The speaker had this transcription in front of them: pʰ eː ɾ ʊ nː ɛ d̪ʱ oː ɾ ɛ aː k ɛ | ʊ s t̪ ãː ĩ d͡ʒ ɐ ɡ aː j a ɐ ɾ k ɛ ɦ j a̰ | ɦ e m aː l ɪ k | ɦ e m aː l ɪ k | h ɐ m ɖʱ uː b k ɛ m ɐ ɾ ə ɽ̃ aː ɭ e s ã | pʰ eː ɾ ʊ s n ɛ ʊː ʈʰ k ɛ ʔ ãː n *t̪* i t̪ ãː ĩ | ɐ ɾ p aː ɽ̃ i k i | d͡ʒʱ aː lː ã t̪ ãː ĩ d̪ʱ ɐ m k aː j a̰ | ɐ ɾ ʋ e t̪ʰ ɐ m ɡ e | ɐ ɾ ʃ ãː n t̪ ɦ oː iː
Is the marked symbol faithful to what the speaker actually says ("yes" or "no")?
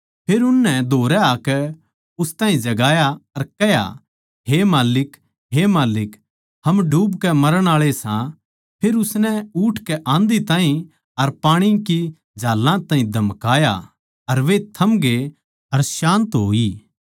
no